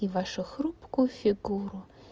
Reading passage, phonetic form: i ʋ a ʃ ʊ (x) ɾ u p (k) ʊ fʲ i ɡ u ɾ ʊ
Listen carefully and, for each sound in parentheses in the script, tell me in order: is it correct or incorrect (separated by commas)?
correct, correct